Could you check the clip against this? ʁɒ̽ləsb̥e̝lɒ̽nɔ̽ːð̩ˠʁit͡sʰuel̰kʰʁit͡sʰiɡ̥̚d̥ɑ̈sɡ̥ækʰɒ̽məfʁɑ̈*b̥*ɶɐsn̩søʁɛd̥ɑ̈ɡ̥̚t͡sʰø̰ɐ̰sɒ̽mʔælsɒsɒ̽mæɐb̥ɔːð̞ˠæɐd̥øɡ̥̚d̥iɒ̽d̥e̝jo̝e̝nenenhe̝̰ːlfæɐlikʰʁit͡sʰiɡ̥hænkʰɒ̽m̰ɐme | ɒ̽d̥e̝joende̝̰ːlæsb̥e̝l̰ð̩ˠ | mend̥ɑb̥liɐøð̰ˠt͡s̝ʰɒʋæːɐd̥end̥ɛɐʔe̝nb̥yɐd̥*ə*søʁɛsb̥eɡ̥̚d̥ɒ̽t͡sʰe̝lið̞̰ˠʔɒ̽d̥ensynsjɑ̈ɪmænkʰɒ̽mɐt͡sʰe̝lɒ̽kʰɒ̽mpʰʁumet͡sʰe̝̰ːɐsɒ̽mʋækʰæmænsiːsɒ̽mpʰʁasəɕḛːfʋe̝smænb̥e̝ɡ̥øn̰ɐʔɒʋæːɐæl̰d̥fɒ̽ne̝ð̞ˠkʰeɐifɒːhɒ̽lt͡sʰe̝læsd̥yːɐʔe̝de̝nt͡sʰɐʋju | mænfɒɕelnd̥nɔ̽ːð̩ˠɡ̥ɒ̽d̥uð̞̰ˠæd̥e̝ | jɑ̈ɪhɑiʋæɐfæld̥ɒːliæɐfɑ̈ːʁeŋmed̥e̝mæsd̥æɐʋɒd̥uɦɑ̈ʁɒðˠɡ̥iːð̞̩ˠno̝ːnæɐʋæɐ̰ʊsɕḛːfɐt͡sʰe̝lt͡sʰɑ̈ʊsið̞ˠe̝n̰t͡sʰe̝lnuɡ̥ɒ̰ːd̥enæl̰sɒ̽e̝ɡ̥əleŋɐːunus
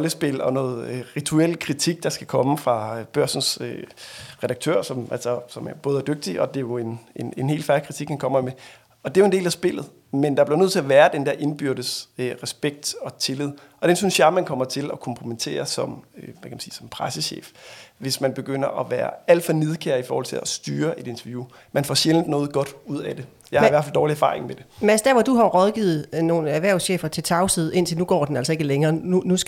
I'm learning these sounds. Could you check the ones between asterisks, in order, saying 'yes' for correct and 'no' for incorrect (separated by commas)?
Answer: yes, yes